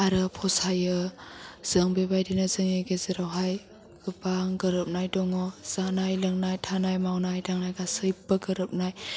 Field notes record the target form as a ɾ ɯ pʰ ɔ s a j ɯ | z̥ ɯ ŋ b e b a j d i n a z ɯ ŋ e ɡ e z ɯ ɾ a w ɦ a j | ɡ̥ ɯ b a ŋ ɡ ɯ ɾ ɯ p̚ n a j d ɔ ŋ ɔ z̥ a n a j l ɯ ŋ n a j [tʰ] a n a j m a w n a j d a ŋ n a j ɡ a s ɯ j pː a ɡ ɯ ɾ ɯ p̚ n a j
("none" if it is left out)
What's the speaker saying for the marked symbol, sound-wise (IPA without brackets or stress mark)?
tʰ